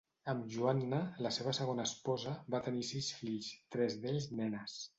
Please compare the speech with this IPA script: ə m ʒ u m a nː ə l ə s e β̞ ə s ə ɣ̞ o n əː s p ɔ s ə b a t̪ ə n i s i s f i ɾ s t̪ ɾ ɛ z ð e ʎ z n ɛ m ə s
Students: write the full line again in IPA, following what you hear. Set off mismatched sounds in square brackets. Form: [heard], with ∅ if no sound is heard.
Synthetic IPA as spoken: ə m ʒ u [∅] a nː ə l ə s e β̞ ə s ə ɣ̞ o n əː s p ɔ [z] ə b a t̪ ə n i s i s f i [ʎ] s t̪ ɾ ɛ z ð e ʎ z n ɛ [n] ə s